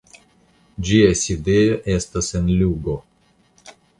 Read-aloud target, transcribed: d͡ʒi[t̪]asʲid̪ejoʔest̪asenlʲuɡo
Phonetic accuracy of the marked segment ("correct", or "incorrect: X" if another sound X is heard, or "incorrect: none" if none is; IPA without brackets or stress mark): incorrect: none